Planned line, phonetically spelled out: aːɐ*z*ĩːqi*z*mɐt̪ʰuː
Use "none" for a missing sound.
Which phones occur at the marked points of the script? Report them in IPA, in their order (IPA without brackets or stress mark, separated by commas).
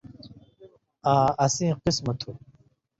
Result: s, s